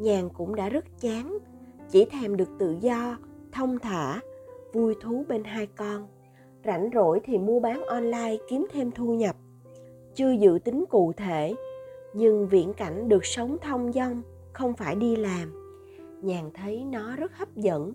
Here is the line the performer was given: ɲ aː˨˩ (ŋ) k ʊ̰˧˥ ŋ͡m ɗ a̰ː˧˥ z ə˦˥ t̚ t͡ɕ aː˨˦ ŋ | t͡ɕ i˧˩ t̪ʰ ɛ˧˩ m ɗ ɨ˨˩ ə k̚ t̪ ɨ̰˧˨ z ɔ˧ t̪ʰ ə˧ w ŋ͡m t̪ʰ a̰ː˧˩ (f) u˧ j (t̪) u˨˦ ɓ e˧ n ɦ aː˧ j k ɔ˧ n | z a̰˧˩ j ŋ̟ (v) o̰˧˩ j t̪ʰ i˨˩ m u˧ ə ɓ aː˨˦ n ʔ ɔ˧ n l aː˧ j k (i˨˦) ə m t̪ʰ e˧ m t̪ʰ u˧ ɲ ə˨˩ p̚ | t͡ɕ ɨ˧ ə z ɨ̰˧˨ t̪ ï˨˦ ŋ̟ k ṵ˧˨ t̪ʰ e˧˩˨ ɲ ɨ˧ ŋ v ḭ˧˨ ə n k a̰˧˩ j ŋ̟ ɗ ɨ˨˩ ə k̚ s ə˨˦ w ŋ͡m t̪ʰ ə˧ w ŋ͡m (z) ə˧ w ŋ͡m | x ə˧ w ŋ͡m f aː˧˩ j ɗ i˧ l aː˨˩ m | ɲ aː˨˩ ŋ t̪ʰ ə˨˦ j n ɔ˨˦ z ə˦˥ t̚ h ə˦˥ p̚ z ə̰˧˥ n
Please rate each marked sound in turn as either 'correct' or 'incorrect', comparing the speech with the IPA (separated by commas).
correct, incorrect, incorrect, incorrect, correct, correct